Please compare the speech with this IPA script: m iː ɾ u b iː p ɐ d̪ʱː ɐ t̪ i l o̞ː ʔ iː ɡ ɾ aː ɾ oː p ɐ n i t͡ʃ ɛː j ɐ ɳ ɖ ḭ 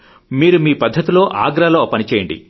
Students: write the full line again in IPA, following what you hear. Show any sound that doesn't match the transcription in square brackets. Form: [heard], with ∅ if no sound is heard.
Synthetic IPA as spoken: m iː ɾ u [m] iː p ɐ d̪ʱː ɐ t̪ i l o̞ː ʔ [aː] ɡ ɾ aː [l] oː p ɐ n i t͡ʃ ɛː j ɐ ɳ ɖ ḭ